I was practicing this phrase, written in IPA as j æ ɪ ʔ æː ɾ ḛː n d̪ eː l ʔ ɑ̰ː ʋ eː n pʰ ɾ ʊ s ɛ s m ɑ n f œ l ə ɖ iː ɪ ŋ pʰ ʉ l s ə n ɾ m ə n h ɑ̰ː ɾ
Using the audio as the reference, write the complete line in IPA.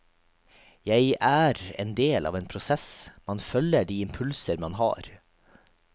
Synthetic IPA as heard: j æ ɪ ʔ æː ɾ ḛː n d̪ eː l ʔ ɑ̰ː ʋ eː n pʰ ɾ ʊ s ɛ s m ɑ n f œ l ə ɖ iː ɪ m pʰ ʉ l s ə ɾ m ɑ n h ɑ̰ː ɾ

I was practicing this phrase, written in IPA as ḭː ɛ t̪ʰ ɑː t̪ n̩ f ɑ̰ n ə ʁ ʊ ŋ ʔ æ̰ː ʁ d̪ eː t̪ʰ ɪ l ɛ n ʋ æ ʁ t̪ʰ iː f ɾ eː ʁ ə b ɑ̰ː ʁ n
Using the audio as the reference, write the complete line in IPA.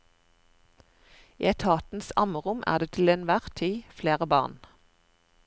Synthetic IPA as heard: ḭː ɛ t̪ʰ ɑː t̪ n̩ s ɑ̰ m ə ʁ ʊ m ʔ æ̰ː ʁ d̪ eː t̪ʰ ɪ l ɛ n ʋ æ ʁ t̪ʰ iː f l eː ʁ ə b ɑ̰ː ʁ n

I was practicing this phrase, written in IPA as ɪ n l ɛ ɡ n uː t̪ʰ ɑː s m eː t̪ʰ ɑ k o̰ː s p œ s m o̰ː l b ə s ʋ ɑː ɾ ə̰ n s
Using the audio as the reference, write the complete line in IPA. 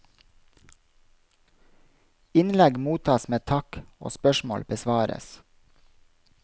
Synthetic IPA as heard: ɪ n l ɛ ɡ m uː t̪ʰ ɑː s m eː t̪ʰ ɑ k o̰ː s p œ ʃ m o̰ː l b ə s ʋ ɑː ɾ ə̰ s

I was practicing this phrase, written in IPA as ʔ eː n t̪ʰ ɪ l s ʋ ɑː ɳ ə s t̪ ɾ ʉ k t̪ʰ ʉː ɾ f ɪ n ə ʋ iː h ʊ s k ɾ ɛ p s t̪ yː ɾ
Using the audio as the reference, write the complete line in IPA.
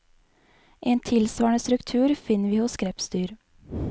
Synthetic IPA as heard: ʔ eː n t̪ʰ ɪ l s ʋ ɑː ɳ ə s t̪ ɾ ʉ k t̪ʰ ʉː ɾ f ɪ n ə ʋ iː h ʊ s k ɾ ɛ p s t̪ yː ɾ

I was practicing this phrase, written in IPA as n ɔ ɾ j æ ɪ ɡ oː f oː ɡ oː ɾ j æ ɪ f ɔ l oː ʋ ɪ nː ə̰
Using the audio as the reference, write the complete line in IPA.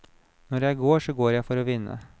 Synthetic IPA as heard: n ɔ ɾ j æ ɪ ɡ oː ʂ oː ɡ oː ɾ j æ ɪ f ɔ ɾ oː ʋ ɪ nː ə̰

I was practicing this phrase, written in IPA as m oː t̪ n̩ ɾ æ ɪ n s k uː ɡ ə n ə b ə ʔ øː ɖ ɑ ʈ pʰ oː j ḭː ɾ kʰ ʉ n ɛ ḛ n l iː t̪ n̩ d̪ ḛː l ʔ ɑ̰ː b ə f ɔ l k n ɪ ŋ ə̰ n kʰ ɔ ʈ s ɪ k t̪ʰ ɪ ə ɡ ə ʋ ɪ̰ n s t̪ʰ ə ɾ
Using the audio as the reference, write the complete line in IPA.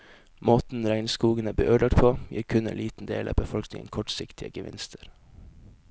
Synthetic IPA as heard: m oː t̪ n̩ ɾ æ ɪ n s k uː ɡ ə n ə b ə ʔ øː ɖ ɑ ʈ pʰ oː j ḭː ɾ kʰ ʉ n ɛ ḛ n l iː t̪ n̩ d̪ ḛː l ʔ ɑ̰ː b ə f ɔ l k n ɪ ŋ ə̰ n kʰ ɔ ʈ s ɪ k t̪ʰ ɪ ə ɡ ə ʋ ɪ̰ n s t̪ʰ ə ɾ

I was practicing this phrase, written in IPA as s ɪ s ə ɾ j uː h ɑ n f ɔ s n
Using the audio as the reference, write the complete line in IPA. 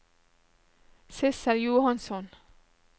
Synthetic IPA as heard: s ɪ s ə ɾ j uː h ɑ n s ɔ n

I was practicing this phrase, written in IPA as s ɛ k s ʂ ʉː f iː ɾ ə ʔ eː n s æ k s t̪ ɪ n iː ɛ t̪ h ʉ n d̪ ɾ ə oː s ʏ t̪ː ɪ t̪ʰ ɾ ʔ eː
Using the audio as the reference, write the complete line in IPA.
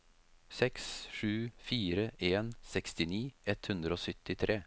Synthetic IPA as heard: s ɛ k s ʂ ʉː f iː ɾ ə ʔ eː n s ɛ k s t̪ ɪ n iː ɛ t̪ h ʉ n d̪ ɾ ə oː s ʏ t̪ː ɪ t̪ʰ ɾ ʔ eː

